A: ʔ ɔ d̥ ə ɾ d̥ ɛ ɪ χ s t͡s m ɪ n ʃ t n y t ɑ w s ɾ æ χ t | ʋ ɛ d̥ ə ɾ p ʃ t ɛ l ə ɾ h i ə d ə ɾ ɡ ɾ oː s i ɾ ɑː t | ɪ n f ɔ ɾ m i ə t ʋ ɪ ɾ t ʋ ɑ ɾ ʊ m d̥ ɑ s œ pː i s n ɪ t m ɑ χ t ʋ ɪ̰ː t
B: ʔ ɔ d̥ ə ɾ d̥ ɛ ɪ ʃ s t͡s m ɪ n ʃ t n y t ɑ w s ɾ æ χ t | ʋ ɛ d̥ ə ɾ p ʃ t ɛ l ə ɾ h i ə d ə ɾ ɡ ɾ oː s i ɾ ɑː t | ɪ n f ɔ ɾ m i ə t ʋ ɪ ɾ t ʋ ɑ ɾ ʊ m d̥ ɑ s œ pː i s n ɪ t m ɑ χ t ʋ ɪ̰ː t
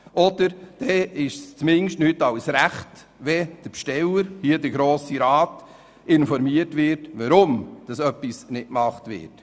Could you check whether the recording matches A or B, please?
B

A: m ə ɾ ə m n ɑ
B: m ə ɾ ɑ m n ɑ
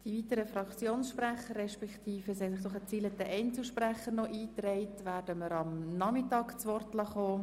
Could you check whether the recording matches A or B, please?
B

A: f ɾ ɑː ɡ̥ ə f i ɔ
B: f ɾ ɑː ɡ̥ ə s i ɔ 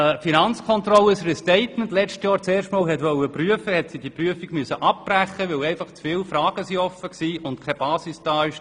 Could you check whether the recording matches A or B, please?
B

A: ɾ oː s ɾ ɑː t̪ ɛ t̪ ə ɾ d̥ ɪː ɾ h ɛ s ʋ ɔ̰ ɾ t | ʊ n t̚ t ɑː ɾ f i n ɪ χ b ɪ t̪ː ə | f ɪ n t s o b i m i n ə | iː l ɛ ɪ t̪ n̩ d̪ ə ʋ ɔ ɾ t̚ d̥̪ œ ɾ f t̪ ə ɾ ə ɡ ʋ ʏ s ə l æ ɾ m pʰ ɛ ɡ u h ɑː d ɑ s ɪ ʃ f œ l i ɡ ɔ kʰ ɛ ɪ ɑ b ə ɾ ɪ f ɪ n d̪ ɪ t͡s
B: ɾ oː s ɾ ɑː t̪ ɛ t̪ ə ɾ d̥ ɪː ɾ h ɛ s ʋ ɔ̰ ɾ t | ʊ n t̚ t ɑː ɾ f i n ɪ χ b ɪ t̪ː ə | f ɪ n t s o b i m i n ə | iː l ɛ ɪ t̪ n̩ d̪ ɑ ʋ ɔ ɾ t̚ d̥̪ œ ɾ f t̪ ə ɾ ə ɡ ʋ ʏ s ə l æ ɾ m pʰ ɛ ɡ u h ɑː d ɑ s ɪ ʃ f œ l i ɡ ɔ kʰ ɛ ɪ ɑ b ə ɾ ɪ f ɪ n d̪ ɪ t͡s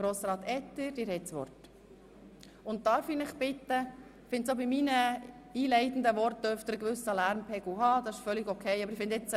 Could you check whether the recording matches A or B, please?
A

